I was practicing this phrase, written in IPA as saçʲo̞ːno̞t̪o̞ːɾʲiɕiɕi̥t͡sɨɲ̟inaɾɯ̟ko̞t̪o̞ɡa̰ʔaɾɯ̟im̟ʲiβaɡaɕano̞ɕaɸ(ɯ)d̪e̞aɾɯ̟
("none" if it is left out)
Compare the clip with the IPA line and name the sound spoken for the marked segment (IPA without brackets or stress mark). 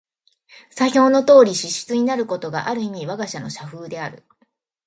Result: ɯː